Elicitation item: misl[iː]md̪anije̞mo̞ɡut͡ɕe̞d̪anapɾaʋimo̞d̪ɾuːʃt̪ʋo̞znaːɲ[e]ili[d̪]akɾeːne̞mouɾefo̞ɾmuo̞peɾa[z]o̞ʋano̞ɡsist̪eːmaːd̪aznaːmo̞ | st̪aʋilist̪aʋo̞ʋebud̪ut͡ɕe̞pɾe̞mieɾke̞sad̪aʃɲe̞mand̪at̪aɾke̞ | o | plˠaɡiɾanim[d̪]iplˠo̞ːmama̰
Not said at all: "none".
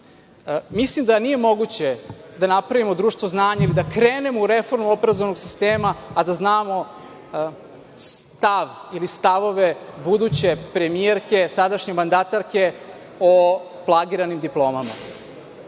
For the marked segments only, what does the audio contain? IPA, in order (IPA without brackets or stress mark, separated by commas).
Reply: i, a, d̪, z, d̪